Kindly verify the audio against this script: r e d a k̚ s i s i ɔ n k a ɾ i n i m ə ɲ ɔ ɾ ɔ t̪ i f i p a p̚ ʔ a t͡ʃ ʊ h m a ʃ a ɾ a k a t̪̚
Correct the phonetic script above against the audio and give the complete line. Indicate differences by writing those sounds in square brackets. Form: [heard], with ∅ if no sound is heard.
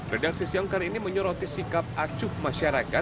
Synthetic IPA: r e d a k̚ s i s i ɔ [ŋ] k a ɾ i n i m ə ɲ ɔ ɾ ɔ t̪ i [s] i [k] a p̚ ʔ a t͡ʃ ʊ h m a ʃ a ɾ a k a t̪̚